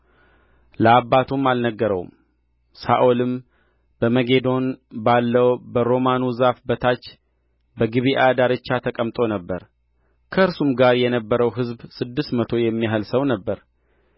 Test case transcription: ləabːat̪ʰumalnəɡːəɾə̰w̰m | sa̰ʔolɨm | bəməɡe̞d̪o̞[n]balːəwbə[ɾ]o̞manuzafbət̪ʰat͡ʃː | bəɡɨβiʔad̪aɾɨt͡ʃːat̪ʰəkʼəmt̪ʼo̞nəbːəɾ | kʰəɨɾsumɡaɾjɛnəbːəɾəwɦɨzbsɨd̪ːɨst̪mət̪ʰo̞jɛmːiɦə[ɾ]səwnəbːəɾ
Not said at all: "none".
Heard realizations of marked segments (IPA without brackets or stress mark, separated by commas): n, ɾ, l